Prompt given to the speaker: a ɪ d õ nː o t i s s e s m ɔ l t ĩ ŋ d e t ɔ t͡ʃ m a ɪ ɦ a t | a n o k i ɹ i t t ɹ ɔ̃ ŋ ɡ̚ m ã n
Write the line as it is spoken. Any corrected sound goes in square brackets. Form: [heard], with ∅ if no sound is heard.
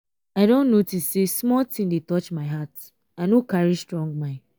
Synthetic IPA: a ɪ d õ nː o t i s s e s m ɔ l t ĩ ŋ d e t ɔ t͡ʃ m a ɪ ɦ a t | a n o k [a] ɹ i [s] t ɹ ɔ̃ ŋ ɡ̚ m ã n